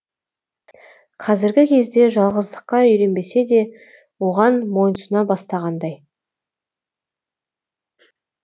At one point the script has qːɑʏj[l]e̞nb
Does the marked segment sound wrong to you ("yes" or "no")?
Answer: yes